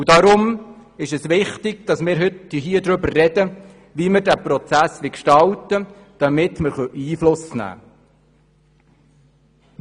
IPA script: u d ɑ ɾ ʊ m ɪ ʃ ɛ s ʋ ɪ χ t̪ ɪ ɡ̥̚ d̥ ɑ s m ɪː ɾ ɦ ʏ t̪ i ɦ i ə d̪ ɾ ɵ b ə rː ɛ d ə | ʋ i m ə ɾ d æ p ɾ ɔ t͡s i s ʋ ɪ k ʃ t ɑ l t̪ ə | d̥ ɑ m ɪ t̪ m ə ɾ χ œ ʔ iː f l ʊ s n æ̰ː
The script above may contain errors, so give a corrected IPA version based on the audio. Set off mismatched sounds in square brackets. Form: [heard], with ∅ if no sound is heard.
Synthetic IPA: u d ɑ ɾ ʊ m ɪ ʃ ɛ s ʋ ɪ χ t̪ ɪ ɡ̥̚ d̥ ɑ s m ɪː ɾ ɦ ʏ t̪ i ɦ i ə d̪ ɾ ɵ b ə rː ɛ d ə | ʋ i m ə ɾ d æ p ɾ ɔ t͡s [æ] s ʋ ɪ k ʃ t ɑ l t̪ ə | d̥ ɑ m ɪ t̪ m ə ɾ χ œ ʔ iː f l ʊ s n æ̰ː